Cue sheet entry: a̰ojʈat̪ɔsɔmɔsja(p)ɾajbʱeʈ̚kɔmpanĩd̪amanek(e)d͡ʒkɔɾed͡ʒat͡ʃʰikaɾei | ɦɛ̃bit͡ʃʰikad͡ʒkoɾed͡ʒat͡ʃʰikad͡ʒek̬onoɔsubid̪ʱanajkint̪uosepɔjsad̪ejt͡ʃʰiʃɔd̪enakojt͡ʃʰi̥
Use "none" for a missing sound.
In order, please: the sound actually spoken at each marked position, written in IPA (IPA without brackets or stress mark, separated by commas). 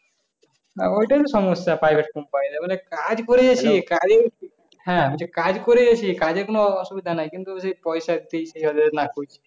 p, a